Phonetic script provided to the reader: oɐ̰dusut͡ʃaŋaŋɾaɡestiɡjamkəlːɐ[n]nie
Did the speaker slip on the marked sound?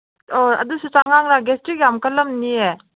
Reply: yes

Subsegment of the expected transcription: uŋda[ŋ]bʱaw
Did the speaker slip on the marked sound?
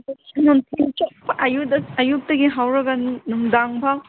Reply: no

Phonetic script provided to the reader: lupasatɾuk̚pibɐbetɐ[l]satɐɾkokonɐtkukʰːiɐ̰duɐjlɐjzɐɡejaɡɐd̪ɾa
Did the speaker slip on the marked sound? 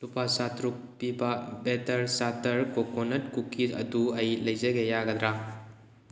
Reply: yes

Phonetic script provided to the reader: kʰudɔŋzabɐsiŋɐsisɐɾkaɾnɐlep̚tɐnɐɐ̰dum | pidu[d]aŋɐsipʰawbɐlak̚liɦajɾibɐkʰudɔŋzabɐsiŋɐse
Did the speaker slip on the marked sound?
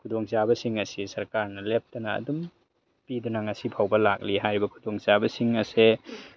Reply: yes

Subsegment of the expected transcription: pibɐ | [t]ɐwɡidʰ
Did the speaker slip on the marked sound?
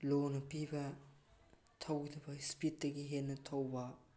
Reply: yes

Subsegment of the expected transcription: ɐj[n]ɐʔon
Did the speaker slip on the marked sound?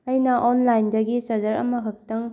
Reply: no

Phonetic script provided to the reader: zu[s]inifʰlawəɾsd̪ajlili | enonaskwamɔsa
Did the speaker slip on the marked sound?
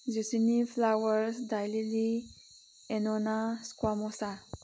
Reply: no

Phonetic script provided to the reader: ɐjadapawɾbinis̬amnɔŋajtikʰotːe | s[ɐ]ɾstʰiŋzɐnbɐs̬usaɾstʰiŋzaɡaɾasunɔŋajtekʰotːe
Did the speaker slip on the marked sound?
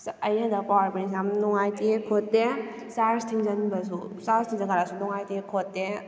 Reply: yes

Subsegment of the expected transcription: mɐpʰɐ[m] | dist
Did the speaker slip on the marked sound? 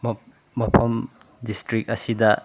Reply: no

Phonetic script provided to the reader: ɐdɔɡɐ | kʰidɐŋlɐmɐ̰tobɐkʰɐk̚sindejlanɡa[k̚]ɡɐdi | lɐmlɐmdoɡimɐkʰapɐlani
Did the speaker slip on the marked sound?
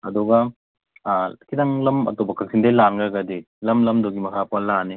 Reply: yes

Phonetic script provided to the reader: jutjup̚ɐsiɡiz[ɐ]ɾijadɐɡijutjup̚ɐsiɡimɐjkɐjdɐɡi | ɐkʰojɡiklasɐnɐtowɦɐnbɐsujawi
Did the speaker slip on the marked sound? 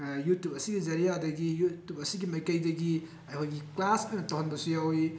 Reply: no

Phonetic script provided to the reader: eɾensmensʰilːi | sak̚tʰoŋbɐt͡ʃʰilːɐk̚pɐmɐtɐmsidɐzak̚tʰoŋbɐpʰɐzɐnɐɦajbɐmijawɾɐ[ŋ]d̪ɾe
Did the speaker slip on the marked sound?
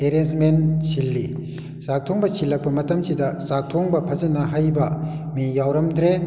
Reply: yes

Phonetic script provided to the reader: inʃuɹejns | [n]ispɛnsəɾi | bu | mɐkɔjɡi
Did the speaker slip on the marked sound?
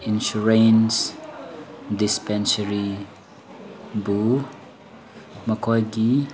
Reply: yes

